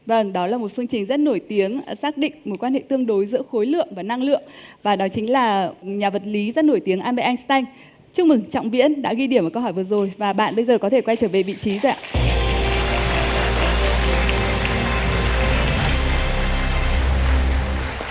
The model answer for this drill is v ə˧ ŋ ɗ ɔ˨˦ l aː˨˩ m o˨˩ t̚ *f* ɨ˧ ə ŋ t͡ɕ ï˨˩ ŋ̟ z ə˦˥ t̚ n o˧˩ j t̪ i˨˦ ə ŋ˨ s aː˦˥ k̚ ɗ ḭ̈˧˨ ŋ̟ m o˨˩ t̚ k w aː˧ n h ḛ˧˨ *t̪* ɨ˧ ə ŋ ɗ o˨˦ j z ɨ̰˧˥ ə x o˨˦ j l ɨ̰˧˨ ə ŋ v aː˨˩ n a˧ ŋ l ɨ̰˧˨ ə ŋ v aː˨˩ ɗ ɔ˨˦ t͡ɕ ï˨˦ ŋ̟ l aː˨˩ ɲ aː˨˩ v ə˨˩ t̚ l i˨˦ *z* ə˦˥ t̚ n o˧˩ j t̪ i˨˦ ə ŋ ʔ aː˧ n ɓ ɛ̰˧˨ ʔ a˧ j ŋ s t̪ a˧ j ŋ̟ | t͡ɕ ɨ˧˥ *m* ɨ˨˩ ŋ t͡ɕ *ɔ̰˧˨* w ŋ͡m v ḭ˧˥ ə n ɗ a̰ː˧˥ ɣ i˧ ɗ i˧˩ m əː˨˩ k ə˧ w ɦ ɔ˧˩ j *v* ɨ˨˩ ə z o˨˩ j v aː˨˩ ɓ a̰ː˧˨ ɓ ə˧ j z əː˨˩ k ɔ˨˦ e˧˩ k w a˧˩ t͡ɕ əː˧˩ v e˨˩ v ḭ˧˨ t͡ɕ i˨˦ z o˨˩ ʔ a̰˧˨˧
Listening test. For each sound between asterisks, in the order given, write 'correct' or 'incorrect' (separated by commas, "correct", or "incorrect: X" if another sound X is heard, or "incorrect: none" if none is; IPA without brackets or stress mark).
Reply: correct, correct, correct, correct, correct, correct